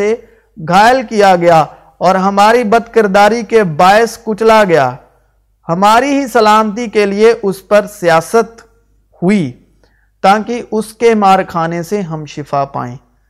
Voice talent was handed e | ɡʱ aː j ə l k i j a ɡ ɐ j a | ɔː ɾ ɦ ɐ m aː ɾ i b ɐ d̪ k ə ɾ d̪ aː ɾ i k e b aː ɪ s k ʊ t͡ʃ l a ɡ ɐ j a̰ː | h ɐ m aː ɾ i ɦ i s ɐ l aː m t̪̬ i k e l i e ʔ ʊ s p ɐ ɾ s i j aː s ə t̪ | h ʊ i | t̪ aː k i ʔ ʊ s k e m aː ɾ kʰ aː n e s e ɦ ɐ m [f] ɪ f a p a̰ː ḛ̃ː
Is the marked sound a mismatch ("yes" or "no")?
yes